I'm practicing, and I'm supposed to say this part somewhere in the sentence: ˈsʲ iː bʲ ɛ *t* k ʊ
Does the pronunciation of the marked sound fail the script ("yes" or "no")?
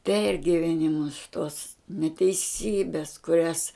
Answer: yes